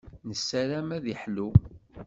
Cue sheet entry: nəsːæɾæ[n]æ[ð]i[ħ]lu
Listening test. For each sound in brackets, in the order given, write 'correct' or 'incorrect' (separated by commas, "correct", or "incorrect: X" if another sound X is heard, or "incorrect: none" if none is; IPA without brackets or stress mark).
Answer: incorrect: m, correct, correct